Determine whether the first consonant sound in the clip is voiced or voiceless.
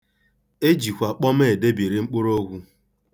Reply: voiced